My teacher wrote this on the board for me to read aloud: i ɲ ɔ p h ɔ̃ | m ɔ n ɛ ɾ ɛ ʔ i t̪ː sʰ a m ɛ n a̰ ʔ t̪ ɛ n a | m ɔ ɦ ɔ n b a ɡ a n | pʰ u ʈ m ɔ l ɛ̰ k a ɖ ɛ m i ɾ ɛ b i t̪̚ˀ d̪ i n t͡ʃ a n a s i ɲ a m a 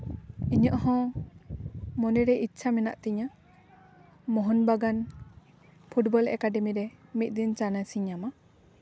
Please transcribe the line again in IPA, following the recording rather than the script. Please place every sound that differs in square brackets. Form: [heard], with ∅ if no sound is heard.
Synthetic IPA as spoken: i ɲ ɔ [ʔ] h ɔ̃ | m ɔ n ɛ ɾ ɛ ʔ i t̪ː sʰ a m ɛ n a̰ ʔ t̪ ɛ [ɲ] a | m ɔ ɦ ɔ n b a ɡ a n | pʰ u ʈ [b] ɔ l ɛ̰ k a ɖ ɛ m i ɾ ɛ [m] i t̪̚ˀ d̪ i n t͡ʃ a n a s i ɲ a m a